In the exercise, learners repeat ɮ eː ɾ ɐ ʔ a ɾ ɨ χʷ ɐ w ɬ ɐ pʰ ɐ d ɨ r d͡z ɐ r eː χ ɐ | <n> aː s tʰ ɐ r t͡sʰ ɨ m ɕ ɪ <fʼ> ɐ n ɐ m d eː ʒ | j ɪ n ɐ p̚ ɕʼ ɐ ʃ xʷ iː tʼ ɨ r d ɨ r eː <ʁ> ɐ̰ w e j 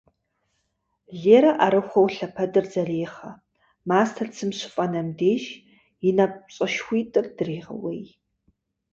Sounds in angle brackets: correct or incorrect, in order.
incorrect: m, correct, correct

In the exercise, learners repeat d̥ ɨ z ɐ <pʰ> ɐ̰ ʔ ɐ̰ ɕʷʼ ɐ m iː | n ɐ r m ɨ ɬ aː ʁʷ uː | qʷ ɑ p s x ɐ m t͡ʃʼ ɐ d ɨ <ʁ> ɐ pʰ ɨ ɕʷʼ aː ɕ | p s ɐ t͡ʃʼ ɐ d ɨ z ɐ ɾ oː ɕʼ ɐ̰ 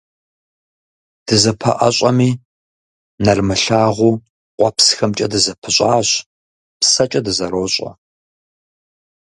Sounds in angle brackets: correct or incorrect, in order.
correct, incorrect: z

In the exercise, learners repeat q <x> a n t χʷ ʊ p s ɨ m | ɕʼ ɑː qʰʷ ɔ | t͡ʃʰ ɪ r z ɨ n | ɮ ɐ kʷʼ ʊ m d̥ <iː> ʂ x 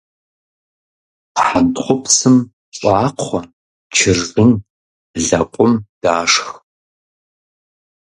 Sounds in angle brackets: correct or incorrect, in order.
incorrect: ħ, incorrect: aː

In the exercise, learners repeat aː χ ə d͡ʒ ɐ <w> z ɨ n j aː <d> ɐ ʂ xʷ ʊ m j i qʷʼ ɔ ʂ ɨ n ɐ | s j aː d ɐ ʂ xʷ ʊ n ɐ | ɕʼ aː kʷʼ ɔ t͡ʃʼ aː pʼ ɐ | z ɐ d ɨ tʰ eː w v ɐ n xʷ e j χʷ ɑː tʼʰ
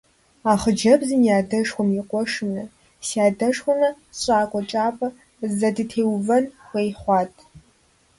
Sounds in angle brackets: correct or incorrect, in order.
incorrect: b, correct

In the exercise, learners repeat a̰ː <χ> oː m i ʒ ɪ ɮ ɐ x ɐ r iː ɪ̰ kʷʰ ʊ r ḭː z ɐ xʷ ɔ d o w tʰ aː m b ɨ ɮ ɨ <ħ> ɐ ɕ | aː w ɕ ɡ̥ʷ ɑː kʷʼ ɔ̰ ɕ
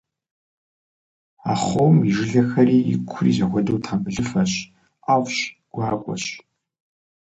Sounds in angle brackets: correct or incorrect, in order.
correct, incorrect: f

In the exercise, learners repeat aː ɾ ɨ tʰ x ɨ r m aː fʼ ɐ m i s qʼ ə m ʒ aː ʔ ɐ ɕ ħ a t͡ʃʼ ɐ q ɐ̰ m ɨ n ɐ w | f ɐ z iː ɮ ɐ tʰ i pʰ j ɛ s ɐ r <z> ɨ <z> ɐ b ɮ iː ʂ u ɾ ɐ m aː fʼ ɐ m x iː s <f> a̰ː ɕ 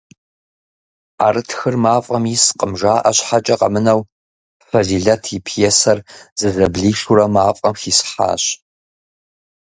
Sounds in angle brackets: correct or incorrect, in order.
correct, correct, incorrect: ħ

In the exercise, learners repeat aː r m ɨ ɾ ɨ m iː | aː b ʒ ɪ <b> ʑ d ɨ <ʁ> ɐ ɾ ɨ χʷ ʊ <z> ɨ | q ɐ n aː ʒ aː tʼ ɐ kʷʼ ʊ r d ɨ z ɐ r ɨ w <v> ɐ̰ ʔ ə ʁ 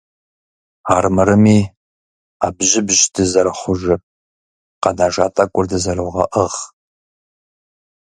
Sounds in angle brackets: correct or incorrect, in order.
correct, incorrect: z, incorrect: ʒ, incorrect: ʁ

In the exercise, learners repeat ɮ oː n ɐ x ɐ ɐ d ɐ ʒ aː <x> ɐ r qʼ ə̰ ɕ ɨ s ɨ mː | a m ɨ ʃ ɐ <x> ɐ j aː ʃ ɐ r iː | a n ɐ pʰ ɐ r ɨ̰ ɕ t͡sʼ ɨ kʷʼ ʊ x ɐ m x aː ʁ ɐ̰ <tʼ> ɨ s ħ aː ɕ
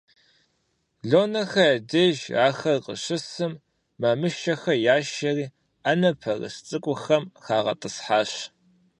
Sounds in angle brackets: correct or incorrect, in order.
correct, correct, correct

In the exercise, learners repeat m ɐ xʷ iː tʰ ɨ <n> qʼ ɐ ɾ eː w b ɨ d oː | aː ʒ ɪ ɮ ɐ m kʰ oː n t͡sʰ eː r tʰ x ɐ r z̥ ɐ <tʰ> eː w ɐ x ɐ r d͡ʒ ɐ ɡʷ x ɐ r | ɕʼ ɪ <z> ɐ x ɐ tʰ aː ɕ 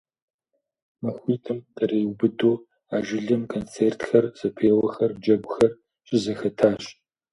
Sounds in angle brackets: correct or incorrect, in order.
incorrect: m, incorrect: pʰ, correct

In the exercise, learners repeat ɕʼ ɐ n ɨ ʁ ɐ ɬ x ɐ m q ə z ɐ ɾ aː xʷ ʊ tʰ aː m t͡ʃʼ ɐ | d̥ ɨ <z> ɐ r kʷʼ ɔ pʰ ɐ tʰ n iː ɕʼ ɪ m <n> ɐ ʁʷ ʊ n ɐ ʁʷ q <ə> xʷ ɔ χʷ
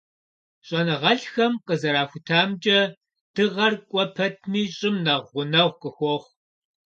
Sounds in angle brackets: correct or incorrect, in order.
incorrect: ʁ, correct, correct

